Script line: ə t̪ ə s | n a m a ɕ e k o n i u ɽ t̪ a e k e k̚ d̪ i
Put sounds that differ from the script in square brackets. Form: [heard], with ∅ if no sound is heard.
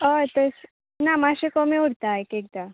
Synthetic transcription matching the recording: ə t̪ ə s | n a m a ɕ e k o [m] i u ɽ t̪ a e k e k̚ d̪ [a]